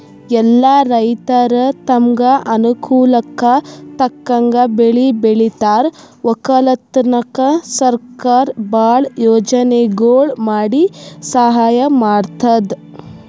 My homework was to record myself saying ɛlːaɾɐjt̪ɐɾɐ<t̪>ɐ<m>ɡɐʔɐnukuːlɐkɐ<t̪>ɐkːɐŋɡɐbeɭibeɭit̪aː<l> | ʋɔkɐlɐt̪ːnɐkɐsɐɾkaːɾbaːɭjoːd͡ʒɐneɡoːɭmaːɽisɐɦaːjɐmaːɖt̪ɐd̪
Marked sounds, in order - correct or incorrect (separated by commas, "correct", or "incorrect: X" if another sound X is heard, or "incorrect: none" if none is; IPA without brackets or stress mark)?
correct, correct, correct, incorrect: ɾ